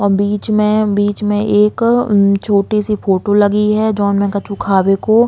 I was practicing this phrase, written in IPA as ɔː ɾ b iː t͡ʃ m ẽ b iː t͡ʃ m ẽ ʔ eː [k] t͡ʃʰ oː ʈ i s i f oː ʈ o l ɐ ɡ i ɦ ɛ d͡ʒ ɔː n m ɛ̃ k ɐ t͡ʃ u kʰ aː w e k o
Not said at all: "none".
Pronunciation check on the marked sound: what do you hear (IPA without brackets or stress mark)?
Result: k